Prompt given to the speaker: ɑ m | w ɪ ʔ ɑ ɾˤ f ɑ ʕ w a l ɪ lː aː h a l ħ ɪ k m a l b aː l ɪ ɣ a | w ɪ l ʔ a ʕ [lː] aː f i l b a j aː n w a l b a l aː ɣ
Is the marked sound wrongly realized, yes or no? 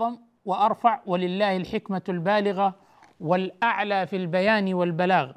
yes